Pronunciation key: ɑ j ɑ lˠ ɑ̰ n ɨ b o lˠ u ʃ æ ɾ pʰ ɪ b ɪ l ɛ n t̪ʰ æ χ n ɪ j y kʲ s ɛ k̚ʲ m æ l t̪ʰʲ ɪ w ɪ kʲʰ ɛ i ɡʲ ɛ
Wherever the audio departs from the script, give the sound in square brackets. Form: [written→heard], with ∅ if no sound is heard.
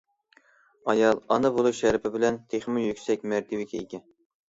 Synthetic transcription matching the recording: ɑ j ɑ lˠ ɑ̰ n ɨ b o lˠ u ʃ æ ɾ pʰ ɪ b ɪ l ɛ n t̪ʰ [æ→e] χ [n→m] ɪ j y kʲ s ɛ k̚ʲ m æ [l→ɾ] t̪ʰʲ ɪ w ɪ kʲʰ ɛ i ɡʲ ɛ